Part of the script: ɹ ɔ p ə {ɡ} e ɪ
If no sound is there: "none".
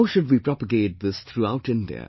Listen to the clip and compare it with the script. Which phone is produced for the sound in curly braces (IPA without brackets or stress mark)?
ɡ